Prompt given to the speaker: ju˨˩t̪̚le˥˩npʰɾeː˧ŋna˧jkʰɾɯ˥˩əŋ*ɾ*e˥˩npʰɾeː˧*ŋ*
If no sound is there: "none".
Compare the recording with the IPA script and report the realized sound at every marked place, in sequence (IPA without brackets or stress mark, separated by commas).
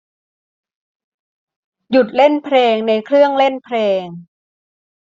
l, ŋ